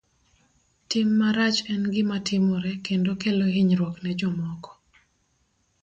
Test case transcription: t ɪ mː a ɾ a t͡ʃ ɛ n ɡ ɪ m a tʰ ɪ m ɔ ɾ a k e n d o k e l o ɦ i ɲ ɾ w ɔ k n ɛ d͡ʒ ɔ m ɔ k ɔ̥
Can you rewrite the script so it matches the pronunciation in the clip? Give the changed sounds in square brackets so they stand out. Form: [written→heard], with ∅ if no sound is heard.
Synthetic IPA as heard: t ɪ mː a ɾ a t͡ʃ ɛ n ɡ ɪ m a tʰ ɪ m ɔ ɾ [a→ɛ] k e n d o k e l o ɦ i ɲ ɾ w ɔ k n ɛ d͡ʒ ɔ m ɔ k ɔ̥